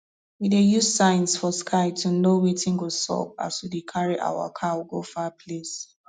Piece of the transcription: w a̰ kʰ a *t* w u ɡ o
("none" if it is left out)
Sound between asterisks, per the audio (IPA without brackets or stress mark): none